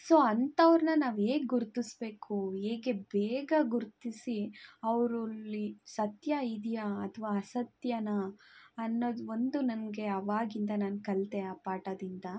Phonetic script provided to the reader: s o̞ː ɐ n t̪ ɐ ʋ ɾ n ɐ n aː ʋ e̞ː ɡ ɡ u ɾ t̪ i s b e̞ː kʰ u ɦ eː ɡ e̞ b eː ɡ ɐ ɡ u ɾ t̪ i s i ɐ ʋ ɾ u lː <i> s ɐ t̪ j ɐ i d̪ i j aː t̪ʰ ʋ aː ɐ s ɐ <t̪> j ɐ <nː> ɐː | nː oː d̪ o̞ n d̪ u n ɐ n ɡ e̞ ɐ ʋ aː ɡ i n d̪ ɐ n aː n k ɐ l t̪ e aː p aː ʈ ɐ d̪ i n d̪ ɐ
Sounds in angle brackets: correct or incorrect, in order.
correct, correct, incorrect

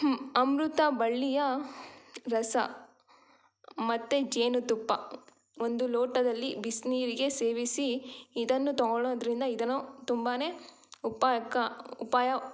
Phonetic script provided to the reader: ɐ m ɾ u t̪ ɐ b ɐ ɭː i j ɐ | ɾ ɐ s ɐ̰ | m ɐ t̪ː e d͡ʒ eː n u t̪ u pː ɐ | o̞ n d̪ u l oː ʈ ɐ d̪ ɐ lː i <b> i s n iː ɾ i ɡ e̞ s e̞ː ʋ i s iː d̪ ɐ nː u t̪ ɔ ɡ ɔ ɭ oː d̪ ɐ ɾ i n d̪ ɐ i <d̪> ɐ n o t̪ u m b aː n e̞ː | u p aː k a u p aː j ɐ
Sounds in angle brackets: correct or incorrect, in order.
correct, correct

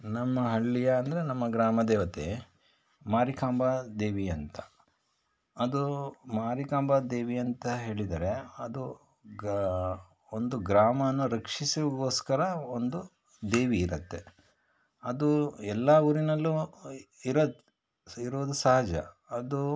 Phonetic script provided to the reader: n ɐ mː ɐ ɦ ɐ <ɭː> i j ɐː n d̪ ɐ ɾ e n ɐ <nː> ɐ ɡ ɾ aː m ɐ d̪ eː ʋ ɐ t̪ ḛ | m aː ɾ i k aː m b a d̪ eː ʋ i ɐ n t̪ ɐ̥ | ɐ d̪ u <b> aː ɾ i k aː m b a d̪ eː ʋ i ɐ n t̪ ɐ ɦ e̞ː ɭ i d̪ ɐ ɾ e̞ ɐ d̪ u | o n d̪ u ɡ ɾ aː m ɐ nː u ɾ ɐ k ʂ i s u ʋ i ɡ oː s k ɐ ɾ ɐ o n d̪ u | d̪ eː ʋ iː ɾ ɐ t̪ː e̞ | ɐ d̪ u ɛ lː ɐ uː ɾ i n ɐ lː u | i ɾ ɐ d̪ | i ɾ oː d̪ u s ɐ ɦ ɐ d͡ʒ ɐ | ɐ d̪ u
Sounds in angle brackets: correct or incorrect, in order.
correct, incorrect, incorrect

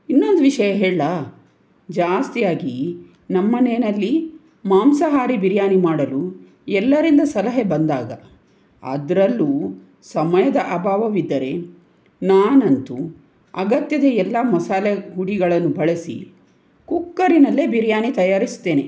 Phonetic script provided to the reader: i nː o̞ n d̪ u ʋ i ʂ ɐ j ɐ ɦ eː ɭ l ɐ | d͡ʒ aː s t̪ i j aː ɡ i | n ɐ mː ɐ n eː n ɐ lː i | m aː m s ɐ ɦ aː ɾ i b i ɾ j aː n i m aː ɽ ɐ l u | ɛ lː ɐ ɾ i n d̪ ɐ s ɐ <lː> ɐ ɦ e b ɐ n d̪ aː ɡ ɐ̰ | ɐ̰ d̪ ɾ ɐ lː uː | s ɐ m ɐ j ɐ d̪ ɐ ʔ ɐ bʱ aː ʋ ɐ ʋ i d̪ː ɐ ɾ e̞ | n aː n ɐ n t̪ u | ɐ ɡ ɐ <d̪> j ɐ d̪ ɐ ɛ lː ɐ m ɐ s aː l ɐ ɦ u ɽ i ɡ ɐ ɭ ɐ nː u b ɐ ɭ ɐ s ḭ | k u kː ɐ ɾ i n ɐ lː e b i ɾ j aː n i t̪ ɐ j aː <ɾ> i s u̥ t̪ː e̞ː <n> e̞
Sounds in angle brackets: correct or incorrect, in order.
incorrect, incorrect, correct, correct

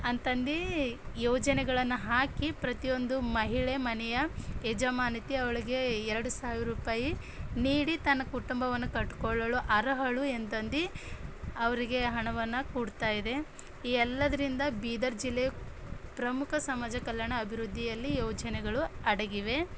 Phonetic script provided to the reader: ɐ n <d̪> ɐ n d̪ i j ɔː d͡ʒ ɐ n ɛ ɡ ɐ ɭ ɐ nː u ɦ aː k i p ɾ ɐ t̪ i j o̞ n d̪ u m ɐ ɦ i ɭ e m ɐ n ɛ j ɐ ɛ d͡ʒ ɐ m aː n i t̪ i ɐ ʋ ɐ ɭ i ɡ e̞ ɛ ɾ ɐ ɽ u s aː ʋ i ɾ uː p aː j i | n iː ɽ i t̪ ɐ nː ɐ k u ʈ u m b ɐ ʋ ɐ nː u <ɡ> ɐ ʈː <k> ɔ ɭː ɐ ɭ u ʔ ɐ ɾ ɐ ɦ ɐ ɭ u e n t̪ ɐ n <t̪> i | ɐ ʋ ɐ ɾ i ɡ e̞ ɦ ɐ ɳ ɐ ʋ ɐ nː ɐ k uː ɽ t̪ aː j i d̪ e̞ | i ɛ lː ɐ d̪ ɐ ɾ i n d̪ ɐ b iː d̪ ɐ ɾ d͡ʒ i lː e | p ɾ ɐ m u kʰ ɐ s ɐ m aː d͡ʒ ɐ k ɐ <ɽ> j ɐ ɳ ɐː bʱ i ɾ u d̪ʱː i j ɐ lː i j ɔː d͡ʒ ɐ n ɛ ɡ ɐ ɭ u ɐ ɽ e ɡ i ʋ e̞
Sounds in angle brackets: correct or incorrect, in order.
incorrect, incorrect, correct, incorrect, incorrect

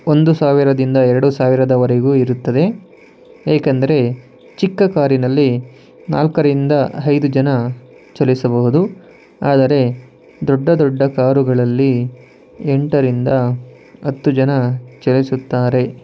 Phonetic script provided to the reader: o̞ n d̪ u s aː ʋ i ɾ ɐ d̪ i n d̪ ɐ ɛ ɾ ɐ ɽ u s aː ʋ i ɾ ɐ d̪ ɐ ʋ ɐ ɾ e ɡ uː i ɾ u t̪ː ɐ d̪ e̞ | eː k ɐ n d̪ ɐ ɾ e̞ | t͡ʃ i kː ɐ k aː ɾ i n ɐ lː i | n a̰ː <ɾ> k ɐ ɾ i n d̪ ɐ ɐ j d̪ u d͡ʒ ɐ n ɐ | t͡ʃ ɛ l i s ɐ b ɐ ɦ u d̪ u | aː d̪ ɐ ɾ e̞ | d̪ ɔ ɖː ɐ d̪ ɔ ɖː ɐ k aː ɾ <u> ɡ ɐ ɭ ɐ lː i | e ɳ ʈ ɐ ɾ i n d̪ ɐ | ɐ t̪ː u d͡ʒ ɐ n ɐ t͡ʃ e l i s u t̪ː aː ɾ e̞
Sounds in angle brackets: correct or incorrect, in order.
incorrect, correct

